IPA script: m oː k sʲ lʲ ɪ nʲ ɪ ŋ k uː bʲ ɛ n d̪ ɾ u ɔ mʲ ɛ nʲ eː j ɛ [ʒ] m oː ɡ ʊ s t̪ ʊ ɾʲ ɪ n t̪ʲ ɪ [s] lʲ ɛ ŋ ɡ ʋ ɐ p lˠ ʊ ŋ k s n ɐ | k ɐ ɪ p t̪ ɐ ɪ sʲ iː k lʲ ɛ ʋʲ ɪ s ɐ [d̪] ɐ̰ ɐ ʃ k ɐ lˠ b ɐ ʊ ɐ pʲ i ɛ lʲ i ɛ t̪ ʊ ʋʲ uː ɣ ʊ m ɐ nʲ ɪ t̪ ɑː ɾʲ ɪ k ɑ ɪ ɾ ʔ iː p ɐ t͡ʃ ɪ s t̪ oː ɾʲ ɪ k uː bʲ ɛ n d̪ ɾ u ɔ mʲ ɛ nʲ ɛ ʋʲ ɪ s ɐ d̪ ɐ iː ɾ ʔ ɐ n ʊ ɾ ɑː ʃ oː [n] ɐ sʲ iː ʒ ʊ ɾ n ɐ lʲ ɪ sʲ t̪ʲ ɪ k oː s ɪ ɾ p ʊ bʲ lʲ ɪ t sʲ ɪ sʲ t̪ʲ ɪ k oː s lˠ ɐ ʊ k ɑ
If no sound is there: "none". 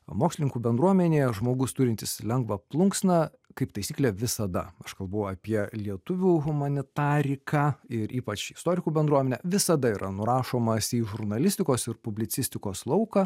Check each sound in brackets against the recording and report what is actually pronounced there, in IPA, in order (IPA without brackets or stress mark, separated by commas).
ʒ, s, d̪, m